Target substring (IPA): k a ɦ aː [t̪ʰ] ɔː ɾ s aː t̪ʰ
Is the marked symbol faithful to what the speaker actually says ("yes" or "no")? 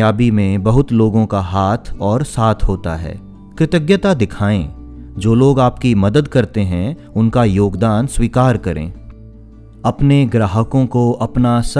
yes